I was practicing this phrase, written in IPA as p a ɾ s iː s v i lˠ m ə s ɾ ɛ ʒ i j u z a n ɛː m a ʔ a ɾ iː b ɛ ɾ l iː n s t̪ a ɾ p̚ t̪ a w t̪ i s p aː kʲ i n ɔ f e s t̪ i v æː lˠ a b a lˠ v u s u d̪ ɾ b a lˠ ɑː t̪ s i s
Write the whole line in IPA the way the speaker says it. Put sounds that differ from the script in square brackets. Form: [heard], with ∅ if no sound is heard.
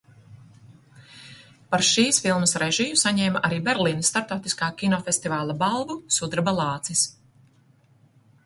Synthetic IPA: p a ɾ [ʃ] iː s [f] i lˠ m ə s ɾ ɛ ʒ i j u [s] a [ɲ] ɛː m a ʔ a ɾ iː b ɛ ɾ l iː n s t̪ a ɾ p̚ t̪ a w t̪ i s [k] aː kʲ i n ɔ f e s t̪ i v [aː] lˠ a b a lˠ v u s u d̪ ɾ b a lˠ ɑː t̪ s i s